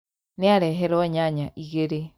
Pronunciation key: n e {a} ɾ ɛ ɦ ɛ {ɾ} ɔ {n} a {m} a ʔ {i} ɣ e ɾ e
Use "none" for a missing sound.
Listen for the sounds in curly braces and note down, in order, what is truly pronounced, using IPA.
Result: a, ɾ, ɲ, ɲ, i

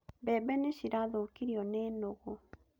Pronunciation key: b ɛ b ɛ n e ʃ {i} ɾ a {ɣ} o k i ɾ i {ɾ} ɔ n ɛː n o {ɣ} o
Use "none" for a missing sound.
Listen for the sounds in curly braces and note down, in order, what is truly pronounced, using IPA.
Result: i, ð, none, ɣ

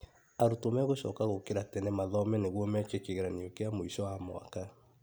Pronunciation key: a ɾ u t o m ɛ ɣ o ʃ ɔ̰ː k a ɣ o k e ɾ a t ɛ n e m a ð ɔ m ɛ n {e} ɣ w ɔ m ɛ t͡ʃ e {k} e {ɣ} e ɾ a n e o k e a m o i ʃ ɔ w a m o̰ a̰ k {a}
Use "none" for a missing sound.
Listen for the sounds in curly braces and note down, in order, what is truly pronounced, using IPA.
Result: e, k, ɣ, a

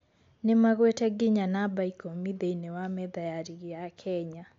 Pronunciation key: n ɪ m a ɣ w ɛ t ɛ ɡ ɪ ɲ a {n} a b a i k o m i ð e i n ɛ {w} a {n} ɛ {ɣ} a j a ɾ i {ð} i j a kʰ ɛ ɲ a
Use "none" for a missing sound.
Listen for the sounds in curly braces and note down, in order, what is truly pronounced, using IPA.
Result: n, w, m, ð, ɣ

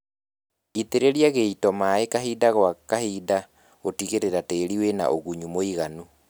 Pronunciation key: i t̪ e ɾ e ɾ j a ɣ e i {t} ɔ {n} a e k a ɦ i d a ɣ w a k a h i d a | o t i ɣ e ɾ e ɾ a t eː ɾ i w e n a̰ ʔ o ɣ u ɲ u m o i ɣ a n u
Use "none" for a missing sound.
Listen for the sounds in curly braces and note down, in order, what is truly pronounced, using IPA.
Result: t, m

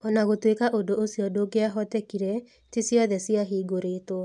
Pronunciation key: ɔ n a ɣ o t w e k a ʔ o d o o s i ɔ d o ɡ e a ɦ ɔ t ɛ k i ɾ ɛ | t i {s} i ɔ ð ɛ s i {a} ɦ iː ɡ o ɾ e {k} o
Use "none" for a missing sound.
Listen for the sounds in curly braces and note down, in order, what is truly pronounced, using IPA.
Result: s, a, t

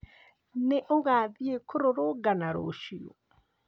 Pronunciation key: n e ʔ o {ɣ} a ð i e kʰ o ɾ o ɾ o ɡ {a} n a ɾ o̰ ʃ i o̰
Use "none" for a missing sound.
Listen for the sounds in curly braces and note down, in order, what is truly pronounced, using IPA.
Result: ɣ, a

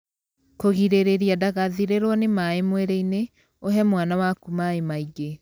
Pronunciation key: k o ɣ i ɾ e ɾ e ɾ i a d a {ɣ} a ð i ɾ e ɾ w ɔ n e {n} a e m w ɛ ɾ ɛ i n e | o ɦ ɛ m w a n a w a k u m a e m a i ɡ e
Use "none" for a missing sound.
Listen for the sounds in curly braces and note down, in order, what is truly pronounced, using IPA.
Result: ɣ, m

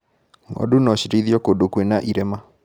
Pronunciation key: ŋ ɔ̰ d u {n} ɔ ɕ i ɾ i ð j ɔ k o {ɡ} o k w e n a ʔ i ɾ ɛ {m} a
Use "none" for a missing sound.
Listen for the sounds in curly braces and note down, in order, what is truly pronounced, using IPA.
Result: n, d, m

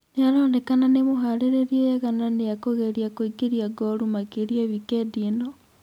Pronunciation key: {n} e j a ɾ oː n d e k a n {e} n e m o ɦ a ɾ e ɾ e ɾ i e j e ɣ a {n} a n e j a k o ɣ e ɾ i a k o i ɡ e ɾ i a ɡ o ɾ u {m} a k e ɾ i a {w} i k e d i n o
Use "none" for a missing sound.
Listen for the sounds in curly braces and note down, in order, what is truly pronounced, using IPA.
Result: n, a, n, m, β

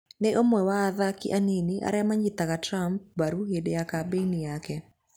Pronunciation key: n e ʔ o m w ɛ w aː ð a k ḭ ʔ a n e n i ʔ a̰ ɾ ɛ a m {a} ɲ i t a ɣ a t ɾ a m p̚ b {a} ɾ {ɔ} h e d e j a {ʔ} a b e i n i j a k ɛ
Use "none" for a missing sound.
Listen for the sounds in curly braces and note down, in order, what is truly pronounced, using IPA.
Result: a, a, u, k

